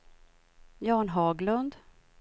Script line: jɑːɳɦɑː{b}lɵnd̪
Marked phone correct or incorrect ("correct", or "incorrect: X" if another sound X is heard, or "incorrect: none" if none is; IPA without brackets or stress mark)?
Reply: incorrect: ɡ